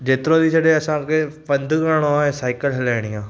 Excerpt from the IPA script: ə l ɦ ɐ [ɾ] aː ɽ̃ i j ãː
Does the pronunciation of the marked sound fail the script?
yes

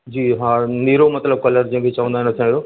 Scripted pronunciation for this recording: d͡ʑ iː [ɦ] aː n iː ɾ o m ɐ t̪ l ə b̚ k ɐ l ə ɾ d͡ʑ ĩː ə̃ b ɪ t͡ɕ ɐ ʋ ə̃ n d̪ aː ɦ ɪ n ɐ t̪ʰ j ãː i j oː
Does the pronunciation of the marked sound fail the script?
no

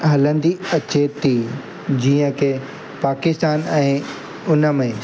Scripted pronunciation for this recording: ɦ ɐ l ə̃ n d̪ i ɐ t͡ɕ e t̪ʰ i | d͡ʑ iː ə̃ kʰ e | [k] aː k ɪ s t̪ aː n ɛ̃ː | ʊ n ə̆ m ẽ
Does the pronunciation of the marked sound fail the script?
yes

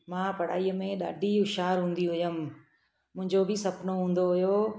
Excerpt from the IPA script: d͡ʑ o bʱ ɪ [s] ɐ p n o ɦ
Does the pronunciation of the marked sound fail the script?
no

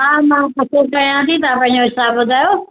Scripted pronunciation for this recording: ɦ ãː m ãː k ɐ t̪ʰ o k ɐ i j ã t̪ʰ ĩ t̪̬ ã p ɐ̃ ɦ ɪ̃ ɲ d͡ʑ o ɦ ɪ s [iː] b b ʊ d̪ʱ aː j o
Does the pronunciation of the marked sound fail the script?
yes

